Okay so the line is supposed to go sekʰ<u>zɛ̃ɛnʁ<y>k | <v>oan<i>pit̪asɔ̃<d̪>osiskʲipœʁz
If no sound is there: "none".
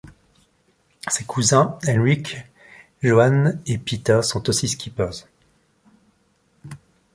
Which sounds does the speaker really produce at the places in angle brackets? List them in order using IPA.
u, i, ʒ, e, t̪

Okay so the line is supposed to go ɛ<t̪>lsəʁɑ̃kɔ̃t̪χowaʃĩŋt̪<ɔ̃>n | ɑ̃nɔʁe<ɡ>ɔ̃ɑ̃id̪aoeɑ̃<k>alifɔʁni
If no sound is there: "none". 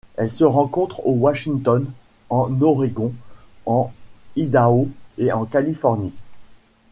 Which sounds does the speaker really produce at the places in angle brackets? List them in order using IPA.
none, ɔ, ɡ, k

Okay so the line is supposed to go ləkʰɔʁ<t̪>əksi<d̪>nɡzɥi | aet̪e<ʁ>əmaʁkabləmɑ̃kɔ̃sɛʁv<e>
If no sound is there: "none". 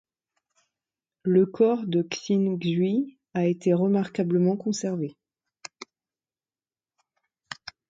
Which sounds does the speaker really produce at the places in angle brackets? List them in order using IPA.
d̪, none, ʁ, e

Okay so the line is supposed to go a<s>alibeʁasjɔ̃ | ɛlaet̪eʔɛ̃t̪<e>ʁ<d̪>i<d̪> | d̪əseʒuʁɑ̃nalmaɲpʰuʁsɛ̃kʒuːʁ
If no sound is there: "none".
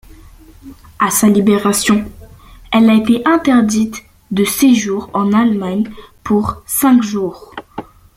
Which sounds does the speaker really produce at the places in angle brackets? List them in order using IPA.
s, ɛ, d̪, t̪

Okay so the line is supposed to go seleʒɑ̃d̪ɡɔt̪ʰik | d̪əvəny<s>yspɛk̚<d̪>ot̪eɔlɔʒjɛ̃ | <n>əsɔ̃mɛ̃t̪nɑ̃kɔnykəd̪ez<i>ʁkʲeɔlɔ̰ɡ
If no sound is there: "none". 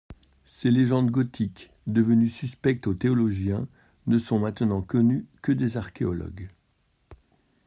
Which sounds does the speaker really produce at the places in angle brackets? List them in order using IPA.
s, t̪, n, a

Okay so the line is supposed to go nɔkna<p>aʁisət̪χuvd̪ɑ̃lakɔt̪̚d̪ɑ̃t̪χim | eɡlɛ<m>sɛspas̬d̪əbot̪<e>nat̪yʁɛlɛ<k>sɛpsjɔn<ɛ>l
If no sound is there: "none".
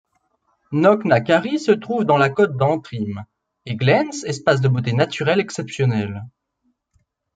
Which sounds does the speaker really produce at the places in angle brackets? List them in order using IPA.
k, n, e, k, ɛ

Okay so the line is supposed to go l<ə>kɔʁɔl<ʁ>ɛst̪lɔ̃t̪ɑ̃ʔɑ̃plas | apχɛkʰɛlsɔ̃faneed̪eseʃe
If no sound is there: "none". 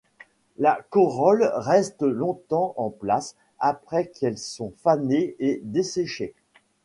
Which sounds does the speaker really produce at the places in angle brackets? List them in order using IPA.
a, ʁ

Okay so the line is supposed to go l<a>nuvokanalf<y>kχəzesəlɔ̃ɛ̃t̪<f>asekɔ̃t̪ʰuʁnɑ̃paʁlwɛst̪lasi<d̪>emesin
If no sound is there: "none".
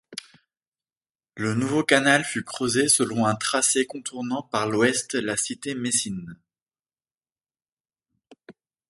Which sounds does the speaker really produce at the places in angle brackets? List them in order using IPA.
ə, y, χ, t̪

